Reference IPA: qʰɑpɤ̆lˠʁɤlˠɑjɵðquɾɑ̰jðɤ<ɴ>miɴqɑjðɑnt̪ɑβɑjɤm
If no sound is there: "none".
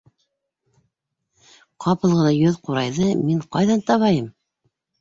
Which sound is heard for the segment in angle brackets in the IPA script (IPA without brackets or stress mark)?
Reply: none